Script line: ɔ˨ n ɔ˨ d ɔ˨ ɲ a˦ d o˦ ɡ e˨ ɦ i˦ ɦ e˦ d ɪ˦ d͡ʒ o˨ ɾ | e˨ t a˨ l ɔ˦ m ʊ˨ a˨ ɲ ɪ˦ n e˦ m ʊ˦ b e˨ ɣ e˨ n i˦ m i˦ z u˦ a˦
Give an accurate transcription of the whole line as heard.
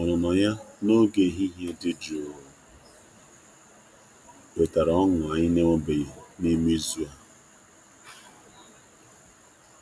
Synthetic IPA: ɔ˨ n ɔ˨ n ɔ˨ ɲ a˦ n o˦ ɡ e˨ ɦ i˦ ɦ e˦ d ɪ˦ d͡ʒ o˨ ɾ | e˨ t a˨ ɾ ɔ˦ ŋ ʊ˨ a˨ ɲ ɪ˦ n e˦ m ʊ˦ b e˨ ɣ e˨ n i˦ m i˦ z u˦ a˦